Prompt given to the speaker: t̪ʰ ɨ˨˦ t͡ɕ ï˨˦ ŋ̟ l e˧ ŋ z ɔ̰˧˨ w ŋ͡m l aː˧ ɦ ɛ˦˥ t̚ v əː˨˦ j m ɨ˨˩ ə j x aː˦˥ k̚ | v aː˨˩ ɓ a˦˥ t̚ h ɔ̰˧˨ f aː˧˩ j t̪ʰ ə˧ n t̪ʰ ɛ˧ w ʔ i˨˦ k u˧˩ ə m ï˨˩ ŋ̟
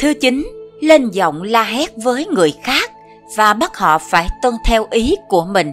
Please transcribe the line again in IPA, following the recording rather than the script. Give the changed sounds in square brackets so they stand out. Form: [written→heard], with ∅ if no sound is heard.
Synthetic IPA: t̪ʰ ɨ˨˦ t͡ɕ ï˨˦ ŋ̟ l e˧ [ŋ→n] z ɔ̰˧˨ w ŋ͡m l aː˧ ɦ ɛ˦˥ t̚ v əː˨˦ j [m→ŋ] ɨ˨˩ ə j x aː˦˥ k̚ | v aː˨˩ ɓ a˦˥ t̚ h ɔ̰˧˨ f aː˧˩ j [t̪ʰ→t̪] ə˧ n t̪ʰ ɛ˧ w ʔ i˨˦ k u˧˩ ə m ï˨˩ ŋ̟